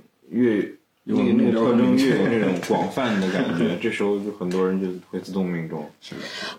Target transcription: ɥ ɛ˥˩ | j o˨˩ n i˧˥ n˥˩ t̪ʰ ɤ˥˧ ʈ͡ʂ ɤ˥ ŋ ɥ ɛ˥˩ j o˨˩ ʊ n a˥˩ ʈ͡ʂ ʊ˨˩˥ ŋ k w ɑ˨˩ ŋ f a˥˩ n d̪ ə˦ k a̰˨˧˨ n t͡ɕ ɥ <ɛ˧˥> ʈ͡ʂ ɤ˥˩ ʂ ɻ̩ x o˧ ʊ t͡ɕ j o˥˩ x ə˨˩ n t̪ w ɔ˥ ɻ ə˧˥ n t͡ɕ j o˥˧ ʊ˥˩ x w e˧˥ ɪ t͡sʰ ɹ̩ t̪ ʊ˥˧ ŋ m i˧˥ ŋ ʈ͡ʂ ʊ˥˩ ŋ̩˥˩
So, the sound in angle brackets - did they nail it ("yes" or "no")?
yes